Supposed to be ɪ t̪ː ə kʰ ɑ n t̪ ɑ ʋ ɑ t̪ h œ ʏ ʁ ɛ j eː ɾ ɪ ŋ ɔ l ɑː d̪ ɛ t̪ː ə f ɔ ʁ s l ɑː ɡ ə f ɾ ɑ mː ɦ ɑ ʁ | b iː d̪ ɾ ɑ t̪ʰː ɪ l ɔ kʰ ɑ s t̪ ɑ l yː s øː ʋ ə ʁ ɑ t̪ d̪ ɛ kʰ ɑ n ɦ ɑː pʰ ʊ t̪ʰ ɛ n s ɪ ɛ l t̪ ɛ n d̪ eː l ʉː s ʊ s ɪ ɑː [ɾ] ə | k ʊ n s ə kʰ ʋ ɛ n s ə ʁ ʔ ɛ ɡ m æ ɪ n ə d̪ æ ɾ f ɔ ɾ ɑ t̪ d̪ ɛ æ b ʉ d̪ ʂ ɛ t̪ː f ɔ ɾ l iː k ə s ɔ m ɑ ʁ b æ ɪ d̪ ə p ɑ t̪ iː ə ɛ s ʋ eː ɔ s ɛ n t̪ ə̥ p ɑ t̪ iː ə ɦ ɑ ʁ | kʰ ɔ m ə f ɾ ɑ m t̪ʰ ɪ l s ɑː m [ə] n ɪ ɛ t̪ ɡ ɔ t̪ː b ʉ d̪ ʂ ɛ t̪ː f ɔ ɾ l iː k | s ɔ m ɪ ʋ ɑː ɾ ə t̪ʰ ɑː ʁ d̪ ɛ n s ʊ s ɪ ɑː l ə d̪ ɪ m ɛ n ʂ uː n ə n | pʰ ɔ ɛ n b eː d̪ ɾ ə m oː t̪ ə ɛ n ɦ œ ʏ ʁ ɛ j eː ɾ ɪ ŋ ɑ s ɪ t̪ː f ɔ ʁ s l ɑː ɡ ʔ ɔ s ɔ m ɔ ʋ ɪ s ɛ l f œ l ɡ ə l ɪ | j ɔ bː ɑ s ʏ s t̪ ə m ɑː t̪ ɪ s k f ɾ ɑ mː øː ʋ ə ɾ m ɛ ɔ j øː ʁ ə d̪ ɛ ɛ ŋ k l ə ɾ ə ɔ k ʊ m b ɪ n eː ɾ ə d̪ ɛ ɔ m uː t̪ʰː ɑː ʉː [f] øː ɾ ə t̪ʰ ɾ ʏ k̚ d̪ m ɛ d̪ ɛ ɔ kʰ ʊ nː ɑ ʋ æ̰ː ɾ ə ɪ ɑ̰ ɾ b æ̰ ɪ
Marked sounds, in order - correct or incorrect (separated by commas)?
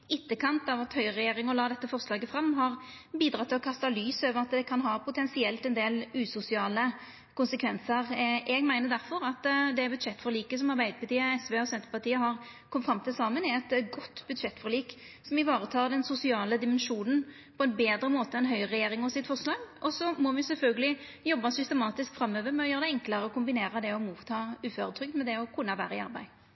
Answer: incorrect, correct, correct